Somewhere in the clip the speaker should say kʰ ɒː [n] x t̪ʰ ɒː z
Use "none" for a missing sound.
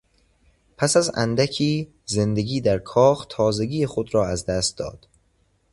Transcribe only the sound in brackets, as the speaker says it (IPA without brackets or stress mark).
none